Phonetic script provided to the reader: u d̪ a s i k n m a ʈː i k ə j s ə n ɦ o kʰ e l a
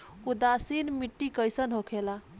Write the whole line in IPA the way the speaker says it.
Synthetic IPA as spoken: u d̪ a s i n m i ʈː i k ə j s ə n ɦ o kʰ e l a